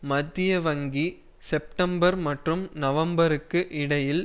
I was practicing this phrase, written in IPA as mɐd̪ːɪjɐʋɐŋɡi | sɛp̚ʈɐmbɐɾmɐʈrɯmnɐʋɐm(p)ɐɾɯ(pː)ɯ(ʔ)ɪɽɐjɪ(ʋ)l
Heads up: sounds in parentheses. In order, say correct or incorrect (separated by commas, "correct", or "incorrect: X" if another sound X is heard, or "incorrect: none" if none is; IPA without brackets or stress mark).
incorrect: b, incorrect: kː, correct, incorrect: none